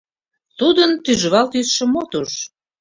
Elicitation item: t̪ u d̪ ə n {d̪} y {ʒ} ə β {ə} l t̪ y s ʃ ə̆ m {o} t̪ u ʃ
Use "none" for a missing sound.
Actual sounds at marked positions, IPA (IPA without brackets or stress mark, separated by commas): t̪, ʒ, ɑ, o